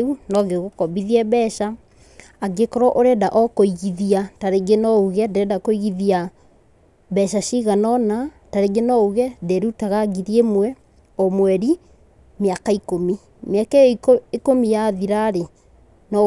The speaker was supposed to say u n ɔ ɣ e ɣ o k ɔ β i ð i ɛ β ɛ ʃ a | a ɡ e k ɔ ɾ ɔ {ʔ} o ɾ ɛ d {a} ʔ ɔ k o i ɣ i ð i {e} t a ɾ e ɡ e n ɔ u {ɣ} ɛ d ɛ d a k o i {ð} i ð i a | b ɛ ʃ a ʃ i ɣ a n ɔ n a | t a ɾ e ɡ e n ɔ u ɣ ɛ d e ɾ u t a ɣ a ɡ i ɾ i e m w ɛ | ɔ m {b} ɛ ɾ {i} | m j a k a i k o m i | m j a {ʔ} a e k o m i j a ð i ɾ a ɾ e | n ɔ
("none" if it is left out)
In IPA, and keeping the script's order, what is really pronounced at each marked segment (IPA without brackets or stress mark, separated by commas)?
ʔ, a, a, ɣ, ɣ, w, i, k